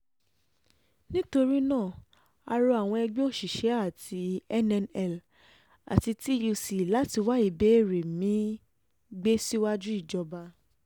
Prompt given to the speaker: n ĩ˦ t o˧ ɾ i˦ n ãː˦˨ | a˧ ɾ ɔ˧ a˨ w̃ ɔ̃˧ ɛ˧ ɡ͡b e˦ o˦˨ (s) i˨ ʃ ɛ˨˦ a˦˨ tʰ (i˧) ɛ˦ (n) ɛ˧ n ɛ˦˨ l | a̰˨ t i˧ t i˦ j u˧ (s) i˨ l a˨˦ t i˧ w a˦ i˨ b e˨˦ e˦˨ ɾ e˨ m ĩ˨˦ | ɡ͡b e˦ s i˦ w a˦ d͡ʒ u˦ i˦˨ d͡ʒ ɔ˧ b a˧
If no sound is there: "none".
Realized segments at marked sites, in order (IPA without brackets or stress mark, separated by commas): ʃ, i˧, n, s